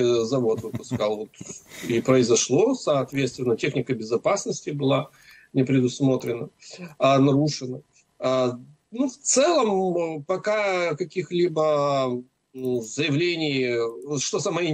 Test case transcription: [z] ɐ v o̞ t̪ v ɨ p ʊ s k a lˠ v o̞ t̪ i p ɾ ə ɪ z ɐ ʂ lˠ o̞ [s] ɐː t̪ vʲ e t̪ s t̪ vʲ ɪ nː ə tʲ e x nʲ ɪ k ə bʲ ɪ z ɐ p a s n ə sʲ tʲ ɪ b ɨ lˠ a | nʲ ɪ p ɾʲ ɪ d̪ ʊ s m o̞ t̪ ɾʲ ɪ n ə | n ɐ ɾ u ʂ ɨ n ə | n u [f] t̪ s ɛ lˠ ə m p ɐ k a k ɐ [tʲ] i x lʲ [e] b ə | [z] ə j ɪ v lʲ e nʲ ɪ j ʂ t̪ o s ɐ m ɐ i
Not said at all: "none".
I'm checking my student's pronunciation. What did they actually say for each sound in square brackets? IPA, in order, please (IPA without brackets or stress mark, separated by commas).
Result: z, s, f, kʲ, i, z